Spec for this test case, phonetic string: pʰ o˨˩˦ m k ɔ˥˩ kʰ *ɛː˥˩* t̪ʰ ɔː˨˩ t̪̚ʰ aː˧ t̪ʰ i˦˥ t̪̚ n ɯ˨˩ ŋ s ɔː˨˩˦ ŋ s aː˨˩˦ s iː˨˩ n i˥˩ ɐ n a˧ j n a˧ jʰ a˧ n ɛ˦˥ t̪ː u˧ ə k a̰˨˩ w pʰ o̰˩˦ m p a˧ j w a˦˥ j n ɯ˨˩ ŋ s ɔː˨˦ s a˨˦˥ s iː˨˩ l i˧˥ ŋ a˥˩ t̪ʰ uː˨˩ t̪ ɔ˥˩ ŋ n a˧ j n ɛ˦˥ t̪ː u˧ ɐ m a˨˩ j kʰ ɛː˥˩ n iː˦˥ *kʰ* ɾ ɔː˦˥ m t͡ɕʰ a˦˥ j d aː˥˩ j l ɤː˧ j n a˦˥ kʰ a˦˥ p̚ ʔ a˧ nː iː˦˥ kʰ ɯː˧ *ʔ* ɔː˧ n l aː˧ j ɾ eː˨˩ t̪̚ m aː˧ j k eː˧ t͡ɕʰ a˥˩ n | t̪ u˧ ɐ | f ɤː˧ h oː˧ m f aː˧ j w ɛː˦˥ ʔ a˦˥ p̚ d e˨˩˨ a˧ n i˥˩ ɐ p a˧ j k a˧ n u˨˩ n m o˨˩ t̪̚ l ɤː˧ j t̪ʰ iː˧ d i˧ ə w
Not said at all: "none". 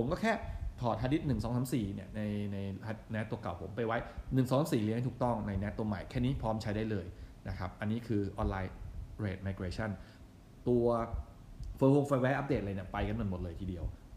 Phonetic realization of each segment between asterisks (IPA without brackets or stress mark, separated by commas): ɛː˥˩, pʰ, ʔ